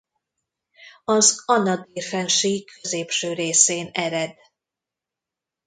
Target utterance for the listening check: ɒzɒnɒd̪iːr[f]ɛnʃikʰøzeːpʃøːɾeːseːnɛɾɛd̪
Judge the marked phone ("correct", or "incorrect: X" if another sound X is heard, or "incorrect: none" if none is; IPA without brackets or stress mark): correct